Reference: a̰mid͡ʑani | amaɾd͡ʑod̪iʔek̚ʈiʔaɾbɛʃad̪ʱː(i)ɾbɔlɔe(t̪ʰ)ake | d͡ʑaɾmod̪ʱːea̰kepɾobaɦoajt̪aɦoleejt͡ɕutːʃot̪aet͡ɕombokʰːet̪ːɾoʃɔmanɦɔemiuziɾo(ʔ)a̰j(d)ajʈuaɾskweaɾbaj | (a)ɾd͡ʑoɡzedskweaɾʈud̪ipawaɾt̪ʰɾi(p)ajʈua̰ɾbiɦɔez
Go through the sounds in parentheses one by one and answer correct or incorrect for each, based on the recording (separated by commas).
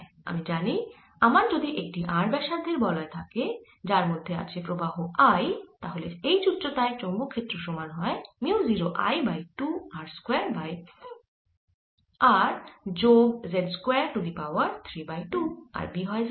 incorrect, correct, correct, incorrect, correct, incorrect